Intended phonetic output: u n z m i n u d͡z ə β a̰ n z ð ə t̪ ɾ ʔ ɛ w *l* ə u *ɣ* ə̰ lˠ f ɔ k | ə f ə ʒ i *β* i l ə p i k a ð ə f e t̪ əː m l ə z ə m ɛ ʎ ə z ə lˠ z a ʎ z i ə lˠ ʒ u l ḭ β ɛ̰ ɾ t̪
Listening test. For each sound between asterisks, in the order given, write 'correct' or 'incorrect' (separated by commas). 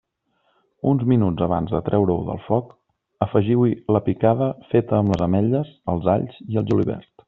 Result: incorrect, incorrect, incorrect